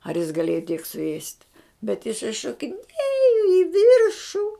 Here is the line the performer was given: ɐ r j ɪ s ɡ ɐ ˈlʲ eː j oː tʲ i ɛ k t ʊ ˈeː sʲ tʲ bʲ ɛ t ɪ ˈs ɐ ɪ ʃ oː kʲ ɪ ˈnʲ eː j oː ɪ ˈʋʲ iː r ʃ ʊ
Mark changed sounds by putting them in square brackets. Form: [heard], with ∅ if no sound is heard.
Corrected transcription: ɐ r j ɪ s ɡ ɐ ˈlʲ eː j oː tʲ i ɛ k [s] ʊ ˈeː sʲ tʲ bʲ ɛ t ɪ ˈs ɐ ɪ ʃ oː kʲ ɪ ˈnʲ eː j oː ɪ ˈʋʲ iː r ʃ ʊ

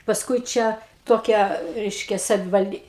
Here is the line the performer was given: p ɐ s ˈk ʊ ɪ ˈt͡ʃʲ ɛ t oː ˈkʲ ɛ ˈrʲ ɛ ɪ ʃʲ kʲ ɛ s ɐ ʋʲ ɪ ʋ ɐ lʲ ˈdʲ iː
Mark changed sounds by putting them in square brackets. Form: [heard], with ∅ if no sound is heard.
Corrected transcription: p ɐ s ˈk ʊ ɪ ˈt͡ʃʲ ɛ t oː ˈkʲ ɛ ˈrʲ ɛ ɪ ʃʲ kʲ ɛ s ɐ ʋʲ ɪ ʋ ɐ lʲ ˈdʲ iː

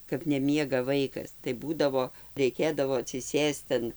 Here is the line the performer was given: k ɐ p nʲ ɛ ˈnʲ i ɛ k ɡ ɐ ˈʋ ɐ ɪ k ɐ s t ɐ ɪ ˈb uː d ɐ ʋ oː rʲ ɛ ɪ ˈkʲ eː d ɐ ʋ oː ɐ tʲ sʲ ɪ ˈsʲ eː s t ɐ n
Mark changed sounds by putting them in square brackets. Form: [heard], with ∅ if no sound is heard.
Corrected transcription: k ɐ p nʲ ɛ [ˈmʲ] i ɛ [∅] ɡ ɐ ˈʋ ɐ ɪ k ɐ s t ɐ ɪ ˈb uː d ɐ ʋ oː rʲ ɛ ɪ ˈkʲ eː d ɐ ʋ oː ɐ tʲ sʲ ɪ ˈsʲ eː s t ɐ n

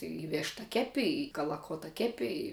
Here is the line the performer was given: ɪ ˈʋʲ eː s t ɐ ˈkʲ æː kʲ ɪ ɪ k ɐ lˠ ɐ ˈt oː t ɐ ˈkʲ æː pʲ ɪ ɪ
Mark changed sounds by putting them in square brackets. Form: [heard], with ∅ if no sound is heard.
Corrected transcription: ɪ ˈʋʲ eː [ʃ] t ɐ ˈkʲ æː [pʲ] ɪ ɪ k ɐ lˠ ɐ [ˈk] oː t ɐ ˈkʲ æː pʲ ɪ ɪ

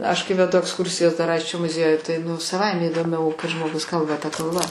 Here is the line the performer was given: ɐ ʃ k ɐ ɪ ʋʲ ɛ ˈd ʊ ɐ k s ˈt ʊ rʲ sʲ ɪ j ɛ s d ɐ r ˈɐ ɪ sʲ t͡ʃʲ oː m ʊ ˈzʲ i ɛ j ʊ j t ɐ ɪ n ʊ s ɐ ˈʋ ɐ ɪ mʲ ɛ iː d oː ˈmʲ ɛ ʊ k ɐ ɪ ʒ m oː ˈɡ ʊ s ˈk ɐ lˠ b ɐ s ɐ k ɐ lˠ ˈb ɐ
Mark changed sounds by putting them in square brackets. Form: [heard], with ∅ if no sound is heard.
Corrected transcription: ɐ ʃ k ɐ ɪ ʋʲ ɛ ˈd ʊ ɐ k s [ˈk] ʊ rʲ sʲ ɪ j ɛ s d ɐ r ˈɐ ɪ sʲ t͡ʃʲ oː m ʊ ˈzʲ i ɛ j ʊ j t ɐ ɪ n ʊ s ɐ ˈʋ ɐ ɪ mʲ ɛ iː d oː ˈmʲ ɛ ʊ k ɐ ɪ ʒ m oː ˈɡ ʊ s ˈk ɐ lˠ b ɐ [t] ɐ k ɐ lˠ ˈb ɐ

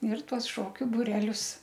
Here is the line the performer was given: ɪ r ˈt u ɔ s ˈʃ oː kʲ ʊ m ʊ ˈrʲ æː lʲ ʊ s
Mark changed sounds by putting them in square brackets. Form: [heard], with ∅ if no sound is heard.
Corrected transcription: ɪ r ˈt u ɔ s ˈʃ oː kʲ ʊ [b] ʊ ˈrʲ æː lʲ ʊ s

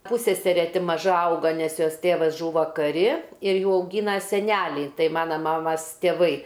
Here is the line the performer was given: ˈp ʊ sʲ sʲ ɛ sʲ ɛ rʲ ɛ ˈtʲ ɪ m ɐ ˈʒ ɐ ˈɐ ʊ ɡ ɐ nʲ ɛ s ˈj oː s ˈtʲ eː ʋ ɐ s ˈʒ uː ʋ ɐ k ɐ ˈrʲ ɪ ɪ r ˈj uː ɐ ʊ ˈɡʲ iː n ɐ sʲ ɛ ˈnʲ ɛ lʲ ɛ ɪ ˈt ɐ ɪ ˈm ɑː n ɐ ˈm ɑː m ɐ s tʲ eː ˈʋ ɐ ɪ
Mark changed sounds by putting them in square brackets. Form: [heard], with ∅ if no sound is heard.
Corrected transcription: ˈp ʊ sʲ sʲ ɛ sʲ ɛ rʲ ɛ ˈtʲ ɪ m ɐ ˈʒ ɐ ˈɐ ʊ ɡ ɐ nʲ ɛ s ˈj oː s ˈtʲ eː ʋ ɐ s ˈʒ uː ʋ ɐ k ɐ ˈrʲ ɪ ɪ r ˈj uː ɐ ʊ ˈɡʲ iː n ɐ sʲ ɛ ˈnʲ [æ] lʲ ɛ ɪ ˈt ɐ ɪ ˈm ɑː n ɐ ˈm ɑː m ɐ s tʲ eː ˈʋ ɐ ɪ

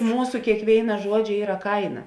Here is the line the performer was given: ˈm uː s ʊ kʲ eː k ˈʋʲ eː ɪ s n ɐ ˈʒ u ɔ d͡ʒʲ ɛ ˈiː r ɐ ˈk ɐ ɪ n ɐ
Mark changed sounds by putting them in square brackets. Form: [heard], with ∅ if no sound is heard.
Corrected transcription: ˈm uː s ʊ kʲ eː k ˈʋʲ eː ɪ [∅] n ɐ ˈʒ u ɔ d͡ʒʲ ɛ ˈiː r ɐ ˈk ɐ ɪ n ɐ

